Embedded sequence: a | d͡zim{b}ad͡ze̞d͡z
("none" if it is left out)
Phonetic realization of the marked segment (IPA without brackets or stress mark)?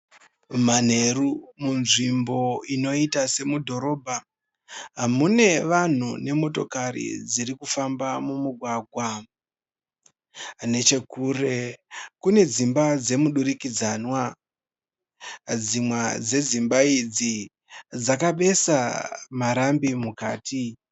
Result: w